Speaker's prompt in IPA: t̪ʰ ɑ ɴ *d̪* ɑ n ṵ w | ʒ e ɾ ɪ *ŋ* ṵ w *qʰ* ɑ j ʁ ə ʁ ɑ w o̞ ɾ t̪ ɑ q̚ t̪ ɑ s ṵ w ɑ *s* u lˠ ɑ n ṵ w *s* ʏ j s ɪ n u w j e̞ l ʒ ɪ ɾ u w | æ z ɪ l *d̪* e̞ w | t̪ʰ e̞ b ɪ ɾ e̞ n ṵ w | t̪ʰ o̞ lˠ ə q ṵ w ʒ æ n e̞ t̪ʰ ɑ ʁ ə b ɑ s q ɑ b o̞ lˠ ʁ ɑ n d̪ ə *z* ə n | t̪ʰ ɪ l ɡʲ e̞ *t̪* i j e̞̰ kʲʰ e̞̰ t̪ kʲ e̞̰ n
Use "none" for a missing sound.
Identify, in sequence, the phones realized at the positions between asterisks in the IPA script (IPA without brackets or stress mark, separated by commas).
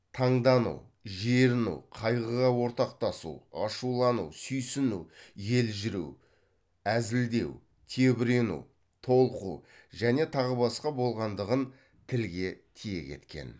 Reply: d̪, n, qʰ, ʃ, s, d̪, ʁ, t̪ʰ